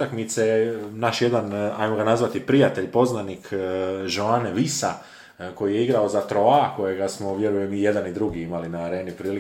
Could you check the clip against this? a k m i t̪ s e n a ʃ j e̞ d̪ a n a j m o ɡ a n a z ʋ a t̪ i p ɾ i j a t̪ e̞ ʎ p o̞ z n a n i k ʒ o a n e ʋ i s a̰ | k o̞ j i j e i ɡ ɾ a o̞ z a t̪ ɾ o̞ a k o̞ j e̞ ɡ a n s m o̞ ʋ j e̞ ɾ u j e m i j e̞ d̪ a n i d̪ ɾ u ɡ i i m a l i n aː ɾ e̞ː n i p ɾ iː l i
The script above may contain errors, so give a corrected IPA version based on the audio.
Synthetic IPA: a k m i t̪ s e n a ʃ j e̞ d̪ a n a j m o ɡ a n a z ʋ a t̪ i p ɾ i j a t̪ e̞ ʎ p o̞ z n a n i k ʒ o a n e ʋ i s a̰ | k o̞ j i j e i ɡ ɾ a o̞ z a t̪ ɾ o̞ a k o̞ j e̞ ɡ a s m o̞ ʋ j e̞ ɾ u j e m i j e̞ d̪ a n i d̪ ɾ u ɡ i i m a l i n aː ɾ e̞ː n i p ɾ iː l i